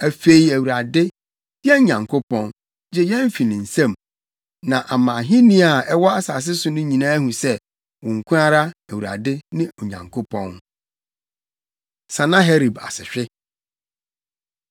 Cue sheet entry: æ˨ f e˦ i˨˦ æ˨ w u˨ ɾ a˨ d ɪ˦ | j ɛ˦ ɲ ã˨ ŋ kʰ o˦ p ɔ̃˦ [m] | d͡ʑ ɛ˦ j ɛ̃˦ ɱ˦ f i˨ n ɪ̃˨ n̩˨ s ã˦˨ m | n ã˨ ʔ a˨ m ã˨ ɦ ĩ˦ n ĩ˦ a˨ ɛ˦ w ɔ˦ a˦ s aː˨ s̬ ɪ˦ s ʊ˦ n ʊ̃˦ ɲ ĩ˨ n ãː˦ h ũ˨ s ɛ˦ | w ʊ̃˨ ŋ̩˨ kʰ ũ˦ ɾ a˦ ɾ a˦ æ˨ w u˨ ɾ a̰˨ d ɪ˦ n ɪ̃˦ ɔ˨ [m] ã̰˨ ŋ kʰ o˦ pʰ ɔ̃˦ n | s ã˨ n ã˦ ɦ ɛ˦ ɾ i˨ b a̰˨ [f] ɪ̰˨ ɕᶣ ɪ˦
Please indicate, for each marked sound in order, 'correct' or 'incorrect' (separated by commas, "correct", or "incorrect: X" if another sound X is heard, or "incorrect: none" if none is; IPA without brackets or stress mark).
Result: incorrect: n, incorrect: ɲ, incorrect: s